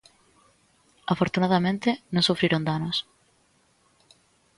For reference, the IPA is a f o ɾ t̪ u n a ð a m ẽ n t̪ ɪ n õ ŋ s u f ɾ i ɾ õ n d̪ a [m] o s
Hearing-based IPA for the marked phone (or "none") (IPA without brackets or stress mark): n